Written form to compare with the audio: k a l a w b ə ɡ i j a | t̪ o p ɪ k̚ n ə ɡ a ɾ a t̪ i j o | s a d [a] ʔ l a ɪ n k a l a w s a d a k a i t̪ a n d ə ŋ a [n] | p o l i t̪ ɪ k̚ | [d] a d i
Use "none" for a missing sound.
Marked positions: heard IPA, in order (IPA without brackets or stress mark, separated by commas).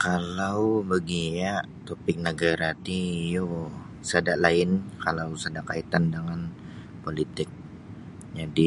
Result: a, n, d͡ʒ